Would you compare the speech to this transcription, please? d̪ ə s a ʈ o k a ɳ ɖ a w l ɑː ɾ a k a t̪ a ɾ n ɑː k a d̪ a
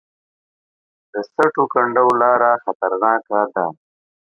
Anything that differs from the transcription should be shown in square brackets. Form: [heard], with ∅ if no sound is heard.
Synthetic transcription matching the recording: d̪ ə s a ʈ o k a ɳ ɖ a w l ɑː ɾ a [x] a t̪ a ɾ n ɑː k a d̪ a